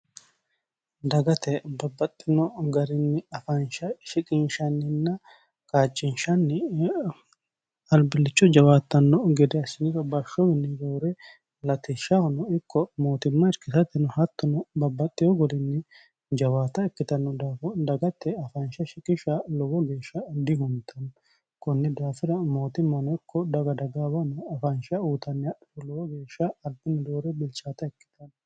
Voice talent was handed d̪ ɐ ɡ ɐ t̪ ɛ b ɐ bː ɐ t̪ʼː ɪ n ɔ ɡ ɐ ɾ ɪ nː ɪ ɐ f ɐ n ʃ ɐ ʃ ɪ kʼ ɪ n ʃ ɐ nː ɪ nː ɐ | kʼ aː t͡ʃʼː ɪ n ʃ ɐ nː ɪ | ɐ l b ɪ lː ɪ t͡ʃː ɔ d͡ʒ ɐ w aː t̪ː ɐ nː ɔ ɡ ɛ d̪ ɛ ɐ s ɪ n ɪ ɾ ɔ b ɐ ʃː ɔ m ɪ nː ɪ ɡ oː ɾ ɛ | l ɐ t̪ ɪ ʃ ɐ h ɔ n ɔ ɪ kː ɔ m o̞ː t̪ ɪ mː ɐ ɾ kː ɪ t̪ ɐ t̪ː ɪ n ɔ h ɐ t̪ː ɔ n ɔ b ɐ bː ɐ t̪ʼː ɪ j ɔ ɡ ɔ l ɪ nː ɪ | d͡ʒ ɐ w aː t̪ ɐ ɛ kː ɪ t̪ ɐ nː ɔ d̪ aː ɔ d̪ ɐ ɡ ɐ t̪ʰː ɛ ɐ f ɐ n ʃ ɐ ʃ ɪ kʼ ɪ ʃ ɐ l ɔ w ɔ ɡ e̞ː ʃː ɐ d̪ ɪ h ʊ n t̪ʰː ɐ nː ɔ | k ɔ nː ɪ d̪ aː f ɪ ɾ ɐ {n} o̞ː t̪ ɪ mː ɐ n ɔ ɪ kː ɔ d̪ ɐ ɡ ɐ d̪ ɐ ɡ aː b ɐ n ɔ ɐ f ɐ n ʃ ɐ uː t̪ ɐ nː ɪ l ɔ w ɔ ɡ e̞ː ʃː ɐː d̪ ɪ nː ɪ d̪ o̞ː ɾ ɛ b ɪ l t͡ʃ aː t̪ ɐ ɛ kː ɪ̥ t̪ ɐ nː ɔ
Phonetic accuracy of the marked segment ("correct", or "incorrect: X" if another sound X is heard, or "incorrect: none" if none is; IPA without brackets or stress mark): incorrect: m